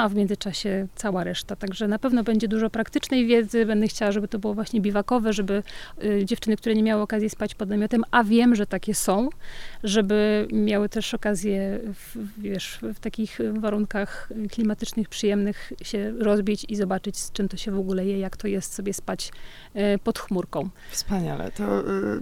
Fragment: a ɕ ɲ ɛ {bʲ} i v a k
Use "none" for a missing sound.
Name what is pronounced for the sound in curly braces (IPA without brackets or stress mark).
bʲ